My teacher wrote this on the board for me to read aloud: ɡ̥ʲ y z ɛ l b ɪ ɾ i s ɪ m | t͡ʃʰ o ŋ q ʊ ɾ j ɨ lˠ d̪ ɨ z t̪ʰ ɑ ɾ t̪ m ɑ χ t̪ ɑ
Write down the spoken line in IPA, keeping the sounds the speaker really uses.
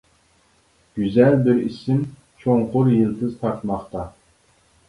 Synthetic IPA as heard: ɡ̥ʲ y z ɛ l b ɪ ɾ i s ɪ m | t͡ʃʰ o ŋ q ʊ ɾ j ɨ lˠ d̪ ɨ z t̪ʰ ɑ ɾ t̪ m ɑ χ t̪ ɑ